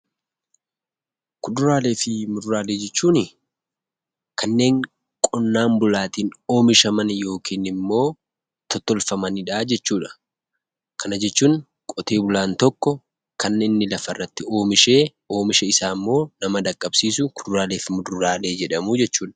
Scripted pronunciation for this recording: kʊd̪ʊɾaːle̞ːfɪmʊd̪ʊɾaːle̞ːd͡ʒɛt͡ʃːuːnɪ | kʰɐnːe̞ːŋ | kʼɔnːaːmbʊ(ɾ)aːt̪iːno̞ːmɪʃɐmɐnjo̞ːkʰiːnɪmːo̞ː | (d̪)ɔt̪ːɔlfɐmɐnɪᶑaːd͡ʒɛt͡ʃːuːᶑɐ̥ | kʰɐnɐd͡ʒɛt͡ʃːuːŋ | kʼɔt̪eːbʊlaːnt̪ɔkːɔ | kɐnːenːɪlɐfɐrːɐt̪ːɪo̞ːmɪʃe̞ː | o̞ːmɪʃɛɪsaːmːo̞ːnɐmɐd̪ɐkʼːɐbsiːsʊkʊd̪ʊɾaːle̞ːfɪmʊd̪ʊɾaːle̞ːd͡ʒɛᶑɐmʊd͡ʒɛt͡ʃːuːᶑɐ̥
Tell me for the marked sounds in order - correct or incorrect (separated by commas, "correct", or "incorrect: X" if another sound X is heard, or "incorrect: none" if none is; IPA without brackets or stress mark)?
incorrect: l, incorrect: t̪